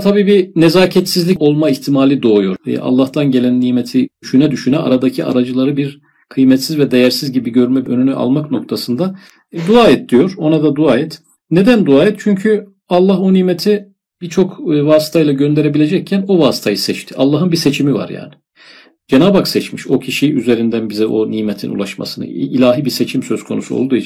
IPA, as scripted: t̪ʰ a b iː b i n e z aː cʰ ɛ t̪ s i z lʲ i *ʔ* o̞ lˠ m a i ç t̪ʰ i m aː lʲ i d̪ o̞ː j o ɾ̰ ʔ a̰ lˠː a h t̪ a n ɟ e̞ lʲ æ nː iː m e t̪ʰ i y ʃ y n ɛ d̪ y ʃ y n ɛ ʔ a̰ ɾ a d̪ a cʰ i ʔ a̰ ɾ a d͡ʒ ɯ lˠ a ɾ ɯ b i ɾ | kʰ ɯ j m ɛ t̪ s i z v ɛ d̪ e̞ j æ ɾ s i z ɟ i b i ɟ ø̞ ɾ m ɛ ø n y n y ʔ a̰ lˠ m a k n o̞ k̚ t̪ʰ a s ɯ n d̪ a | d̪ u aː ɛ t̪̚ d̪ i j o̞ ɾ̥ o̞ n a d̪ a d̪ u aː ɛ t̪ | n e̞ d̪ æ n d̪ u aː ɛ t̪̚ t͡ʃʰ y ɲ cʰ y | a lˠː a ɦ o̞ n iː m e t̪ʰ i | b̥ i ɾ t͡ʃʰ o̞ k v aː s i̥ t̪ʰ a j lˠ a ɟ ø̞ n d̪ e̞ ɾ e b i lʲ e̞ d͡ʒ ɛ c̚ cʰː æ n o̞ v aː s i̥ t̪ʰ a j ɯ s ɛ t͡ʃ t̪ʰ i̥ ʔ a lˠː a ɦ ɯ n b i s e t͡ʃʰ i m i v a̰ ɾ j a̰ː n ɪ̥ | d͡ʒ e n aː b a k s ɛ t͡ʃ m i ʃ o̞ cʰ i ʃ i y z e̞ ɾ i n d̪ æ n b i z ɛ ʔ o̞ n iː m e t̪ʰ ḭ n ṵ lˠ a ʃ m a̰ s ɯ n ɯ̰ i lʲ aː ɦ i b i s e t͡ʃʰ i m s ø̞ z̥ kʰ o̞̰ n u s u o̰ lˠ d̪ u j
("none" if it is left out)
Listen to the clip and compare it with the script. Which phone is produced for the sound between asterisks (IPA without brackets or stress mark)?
c